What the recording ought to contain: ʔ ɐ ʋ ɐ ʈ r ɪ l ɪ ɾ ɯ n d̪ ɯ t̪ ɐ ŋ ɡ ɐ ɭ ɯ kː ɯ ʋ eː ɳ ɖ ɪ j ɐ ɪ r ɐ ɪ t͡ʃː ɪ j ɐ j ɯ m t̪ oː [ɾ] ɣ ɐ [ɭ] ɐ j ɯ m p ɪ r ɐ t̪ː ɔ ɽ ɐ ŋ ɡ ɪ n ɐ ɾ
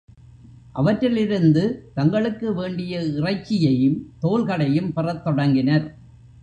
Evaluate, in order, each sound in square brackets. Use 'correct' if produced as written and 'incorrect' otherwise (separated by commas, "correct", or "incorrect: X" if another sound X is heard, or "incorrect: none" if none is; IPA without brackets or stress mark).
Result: incorrect: l, incorrect: ɽ